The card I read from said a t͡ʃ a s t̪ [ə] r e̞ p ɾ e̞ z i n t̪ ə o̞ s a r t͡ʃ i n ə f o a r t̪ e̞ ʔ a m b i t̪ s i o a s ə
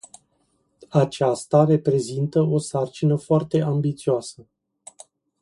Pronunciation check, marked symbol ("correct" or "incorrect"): incorrect